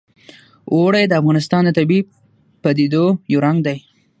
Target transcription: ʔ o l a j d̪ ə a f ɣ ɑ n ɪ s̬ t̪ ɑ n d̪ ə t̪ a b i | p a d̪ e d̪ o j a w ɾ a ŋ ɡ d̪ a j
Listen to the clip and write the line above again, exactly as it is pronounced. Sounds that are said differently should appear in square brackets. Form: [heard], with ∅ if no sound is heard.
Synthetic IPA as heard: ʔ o [ɽ] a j d̪ ə a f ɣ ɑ n ɪ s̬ t̪ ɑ n d̪ ə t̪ a b i | p a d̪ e d̪ o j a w ɾ a ŋ ɡ d̪ a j